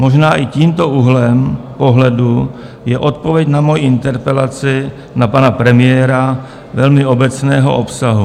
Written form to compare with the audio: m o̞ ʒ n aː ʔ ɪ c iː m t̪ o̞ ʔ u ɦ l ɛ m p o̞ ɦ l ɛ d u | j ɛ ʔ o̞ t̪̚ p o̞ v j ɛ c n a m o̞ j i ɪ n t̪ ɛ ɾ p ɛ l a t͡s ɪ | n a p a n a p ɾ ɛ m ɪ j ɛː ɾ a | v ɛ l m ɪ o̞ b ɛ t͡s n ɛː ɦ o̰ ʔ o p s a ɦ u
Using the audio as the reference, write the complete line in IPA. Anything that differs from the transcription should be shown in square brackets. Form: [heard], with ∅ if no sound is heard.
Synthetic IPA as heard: m o̞ ʒ n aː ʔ ɪ c iː m t̪ o̞ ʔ u ɦ l ɛ m p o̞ ɦ l ɛ d u | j ɛ ʔ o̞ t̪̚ p o̞ v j ɛ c n a m o̞ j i ɪ n t̪ ɛ ɾ p ɛ l a t͡s ɪ | n a p a n a p ɾ ɛ m ɪ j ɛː ɾ a | v ɛ l m ɪ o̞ b ɛ t͡s n ɛː ɦ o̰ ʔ o p s a ɦ u